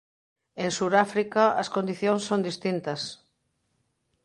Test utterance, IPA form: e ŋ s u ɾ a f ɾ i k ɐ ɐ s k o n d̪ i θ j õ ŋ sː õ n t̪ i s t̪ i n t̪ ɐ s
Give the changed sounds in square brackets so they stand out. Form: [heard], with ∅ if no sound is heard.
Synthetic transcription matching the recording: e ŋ s u ɾ a f ɾ i k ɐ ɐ s k o n d̪ i θ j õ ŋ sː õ n [d̪] i s t̪ i n t̪ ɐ s